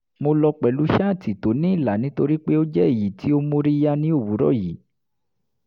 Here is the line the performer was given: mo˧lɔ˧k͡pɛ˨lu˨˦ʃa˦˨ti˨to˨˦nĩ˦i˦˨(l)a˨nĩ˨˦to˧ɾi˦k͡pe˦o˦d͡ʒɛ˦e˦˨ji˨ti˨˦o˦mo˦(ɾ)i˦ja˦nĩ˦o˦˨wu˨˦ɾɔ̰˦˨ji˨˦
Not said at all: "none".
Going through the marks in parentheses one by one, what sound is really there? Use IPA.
l, ɾ

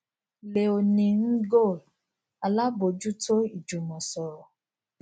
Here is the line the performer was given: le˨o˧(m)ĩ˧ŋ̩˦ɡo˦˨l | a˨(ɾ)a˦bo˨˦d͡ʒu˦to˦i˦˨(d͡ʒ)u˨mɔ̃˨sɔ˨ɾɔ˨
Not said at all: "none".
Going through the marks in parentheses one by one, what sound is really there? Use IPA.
n, l, d͡ʒ

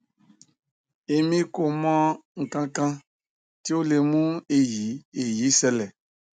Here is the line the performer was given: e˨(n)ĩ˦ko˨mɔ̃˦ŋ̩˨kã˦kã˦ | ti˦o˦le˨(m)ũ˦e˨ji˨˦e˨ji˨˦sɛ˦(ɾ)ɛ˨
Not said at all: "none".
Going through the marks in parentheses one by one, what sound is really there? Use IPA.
m, m, l

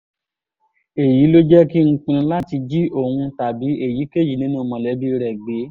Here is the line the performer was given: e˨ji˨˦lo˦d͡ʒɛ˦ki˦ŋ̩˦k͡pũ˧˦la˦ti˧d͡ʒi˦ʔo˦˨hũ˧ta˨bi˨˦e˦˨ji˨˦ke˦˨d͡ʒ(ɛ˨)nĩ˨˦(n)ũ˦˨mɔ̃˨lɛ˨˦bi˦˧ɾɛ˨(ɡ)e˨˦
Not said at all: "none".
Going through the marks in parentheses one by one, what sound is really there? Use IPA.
i˨, n, ɡ͡b

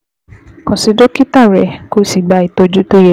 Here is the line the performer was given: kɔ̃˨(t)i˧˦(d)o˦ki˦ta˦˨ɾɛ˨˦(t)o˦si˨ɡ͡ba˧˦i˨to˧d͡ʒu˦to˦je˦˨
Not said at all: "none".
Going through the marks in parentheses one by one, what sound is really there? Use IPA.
s, d, k

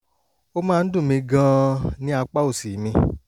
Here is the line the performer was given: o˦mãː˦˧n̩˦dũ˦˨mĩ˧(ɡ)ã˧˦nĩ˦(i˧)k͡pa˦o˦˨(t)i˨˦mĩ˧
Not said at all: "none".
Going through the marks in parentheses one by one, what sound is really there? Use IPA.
ɡ, a˧, s

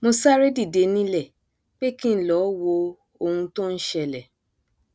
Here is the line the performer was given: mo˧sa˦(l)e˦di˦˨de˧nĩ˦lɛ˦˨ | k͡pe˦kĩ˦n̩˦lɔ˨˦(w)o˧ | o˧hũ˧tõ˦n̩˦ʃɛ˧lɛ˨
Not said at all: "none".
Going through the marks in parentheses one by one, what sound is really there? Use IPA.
ɾ, w

